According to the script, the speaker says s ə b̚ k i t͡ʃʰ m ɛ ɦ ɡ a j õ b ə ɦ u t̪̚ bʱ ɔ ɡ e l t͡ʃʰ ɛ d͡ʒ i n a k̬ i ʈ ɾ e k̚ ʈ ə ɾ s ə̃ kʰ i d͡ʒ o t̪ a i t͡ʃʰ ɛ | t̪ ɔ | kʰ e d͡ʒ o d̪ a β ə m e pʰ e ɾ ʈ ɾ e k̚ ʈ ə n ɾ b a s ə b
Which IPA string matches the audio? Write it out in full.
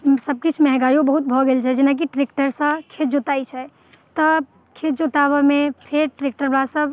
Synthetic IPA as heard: s ə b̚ k i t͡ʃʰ m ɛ ɦ ɡ a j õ b ə ɦ u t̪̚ bʱ ɔ ɡ e l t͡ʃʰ ɛ d͡ʒ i n a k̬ i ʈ ɾ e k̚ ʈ ə ɾ s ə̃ kʰ e d͡ʒ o t̪ a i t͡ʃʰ ɛ | t̪ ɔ | kʰ e d͡ʒ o t̪ a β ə m e pʰ e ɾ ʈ ɾ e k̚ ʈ ə ɾ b a s ə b